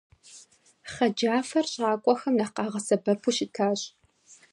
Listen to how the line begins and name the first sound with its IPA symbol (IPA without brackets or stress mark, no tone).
χ